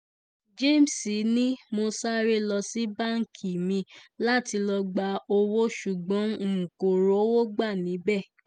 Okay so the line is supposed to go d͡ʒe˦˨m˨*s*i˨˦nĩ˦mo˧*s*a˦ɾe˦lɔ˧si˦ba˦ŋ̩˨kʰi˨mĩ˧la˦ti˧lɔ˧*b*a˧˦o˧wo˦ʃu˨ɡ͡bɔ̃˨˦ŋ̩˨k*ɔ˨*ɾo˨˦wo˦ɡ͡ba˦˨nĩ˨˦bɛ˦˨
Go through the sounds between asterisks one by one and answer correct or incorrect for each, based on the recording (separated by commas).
correct, correct, incorrect, incorrect